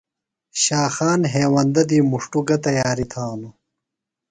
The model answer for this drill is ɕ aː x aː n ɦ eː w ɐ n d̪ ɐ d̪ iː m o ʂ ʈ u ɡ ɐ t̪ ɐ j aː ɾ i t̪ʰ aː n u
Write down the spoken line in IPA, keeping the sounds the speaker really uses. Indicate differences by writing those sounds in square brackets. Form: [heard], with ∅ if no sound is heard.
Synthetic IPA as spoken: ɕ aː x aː n ɦ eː w ɐ n d̪ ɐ d̪ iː m [u] ʂ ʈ u ɡ ɐ t̪ ɐ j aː ɾ i t̪ʰ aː n u